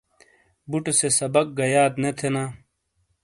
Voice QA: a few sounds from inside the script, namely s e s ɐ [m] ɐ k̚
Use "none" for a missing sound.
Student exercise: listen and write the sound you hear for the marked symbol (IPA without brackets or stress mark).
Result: b